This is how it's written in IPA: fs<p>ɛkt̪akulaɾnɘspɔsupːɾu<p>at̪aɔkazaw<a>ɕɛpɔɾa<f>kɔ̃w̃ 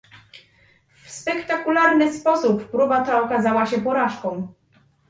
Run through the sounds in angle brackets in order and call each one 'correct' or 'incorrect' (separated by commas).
correct, incorrect, correct, incorrect